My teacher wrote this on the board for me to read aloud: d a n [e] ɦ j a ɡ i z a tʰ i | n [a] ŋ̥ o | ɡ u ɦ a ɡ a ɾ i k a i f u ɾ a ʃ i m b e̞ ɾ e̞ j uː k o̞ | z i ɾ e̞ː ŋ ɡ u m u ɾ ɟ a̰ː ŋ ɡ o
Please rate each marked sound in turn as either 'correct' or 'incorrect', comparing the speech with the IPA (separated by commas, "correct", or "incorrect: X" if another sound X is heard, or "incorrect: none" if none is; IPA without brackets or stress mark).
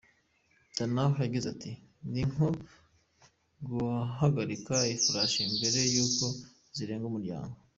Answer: incorrect: a, incorrect: i